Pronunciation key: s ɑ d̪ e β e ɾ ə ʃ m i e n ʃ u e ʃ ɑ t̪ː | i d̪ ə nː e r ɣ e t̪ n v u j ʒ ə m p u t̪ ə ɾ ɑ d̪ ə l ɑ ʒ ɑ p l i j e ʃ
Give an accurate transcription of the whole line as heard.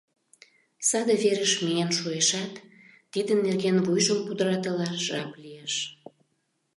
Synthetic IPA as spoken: s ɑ d̪ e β e ɾ ə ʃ m i e n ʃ u e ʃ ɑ t̪ː | i d̪ ə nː e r ɣ e n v u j ʒ ə m p u d̪ ə ɾ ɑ t̪ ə l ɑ ʒ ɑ p l i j e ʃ